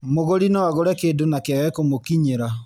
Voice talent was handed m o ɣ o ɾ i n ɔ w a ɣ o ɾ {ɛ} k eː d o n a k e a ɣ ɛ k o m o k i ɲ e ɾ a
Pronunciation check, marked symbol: correct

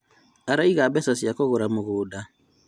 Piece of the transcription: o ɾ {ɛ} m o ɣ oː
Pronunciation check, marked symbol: incorrect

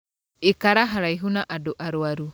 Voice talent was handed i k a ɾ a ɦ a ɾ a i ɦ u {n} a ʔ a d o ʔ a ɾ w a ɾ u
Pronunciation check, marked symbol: correct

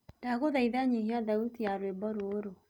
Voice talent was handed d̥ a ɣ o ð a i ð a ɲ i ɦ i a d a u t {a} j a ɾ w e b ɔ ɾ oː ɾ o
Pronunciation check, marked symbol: incorrect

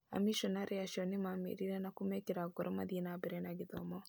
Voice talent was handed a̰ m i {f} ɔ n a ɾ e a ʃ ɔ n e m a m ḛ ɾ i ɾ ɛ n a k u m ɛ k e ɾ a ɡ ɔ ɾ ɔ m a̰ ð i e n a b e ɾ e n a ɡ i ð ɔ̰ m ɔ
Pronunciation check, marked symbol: incorrect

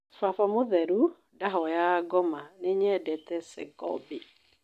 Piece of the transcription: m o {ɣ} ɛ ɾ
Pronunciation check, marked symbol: incorrect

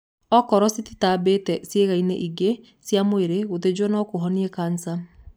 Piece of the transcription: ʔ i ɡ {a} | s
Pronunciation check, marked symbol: incorrect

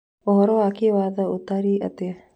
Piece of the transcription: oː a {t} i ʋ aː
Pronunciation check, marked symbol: incorrect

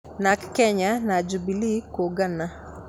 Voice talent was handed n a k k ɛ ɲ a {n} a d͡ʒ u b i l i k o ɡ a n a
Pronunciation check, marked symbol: correct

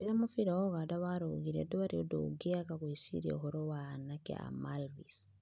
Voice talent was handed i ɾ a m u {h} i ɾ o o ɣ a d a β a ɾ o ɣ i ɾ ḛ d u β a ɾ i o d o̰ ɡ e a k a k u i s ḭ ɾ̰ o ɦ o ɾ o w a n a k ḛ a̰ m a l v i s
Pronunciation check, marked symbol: incorrect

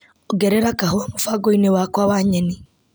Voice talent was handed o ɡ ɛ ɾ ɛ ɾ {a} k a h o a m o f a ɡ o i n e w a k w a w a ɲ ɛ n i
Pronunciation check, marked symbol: correct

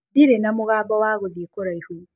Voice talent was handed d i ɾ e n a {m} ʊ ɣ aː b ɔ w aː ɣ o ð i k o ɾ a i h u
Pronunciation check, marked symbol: correct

